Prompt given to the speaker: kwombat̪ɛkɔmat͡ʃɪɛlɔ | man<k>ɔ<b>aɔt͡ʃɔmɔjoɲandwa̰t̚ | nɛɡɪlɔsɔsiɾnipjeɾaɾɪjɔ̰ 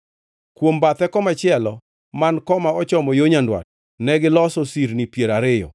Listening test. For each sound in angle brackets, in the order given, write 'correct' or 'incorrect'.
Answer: correct, incorrect: m

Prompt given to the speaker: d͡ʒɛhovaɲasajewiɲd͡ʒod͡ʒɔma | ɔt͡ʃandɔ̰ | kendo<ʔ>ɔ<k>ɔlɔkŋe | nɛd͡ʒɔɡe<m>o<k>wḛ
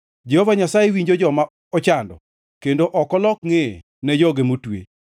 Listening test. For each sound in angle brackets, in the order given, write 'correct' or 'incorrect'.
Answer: correct, correct, correct, incorrect: t

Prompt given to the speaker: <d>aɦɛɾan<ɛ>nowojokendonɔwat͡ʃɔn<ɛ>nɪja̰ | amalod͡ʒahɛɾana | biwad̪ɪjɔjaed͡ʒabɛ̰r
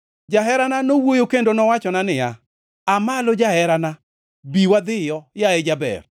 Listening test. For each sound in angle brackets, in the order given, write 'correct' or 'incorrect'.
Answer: incorrect: d͡ʒ, incorrect: a, incorrect: a

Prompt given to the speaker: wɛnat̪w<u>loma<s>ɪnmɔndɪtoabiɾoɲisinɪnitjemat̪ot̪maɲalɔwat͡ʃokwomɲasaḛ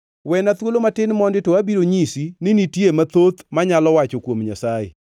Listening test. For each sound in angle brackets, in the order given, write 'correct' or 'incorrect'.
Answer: incorrect: o, incorrect: t

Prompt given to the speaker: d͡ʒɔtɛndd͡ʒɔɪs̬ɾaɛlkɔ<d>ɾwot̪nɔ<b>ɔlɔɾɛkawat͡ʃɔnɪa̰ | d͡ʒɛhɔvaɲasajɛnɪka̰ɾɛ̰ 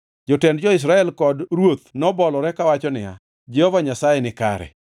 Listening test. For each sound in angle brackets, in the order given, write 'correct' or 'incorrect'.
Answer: correct, correct

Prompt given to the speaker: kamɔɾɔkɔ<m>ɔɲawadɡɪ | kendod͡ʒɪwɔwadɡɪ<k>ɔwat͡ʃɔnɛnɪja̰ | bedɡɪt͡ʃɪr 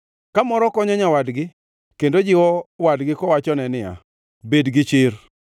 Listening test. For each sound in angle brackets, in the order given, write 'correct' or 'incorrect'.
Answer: incorrect: ɲ, correct

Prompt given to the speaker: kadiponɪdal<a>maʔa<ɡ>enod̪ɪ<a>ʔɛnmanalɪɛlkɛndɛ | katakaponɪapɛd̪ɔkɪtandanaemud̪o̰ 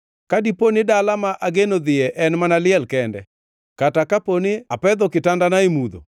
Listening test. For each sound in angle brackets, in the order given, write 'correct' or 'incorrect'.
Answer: correct, correct, incorrect: ɛ

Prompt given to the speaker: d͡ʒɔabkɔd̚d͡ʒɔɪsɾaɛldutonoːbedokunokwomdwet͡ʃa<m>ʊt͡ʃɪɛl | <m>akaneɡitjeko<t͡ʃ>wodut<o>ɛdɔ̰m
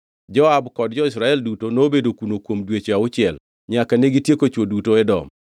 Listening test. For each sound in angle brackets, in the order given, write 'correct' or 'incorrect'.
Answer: incorrect: none, incorrect: ɲ, correct, correct

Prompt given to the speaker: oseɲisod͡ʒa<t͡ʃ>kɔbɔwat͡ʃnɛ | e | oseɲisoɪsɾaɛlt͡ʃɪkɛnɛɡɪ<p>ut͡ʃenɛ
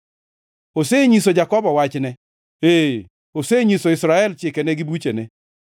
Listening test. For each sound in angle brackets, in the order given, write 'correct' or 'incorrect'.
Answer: incorrect: none, incorrect: b

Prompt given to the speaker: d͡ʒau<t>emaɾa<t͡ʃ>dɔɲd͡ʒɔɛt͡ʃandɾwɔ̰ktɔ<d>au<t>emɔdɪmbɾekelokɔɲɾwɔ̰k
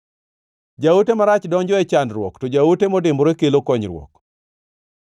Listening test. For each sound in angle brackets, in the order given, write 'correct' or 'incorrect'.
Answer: correct, correct, incorrect: d͡ʒ, correct

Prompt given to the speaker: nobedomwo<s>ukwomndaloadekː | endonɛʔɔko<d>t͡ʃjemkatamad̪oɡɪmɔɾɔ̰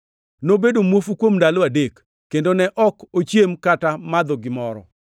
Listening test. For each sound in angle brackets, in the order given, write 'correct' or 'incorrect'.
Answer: incorrect: f, incorrect: none

